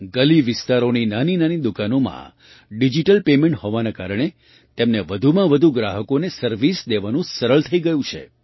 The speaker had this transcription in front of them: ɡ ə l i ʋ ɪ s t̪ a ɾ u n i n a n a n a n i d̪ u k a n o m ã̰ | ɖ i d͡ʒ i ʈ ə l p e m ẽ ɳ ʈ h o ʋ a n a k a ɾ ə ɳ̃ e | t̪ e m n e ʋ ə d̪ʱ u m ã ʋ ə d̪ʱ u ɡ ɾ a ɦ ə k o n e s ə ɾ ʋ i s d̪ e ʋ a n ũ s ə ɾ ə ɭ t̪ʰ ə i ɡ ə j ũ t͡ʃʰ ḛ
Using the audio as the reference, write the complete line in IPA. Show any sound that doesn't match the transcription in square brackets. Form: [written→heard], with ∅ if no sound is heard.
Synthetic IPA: ɡ ə l i ʋ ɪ s t̪ a ɾ [u→o] n i n a n [a→i] n a n i d̪ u k a n o m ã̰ | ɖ i d͡ʒ i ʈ ə l p e m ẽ ɳ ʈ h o ʋ a n a k a ɾ ə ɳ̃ e | t̪ e m n e ʋ ə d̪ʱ u m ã ʋ ə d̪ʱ u ɡ ɾ a ɦ ə k o n e s ə ɾ ʋ i s d̪ e ʋ a n ũ s ə ɾ ə ɭ t̪ʰ ə i ɡ ə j ũ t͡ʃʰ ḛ